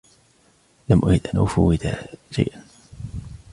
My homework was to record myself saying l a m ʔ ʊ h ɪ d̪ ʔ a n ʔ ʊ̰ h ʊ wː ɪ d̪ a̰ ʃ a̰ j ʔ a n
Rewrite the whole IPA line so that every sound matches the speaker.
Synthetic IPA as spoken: l a m ʔ ʊ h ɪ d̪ ʔ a n ʔ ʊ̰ f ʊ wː ɪ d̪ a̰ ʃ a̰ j ʔ a n